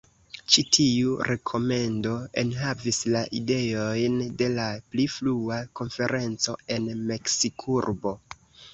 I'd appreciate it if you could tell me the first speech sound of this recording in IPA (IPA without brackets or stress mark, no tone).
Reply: t͡ʃ